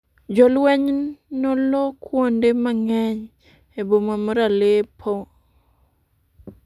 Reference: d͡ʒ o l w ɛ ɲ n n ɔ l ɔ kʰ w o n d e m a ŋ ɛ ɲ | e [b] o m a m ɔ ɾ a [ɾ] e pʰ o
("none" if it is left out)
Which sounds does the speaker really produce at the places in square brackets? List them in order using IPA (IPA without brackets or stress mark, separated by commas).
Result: b, l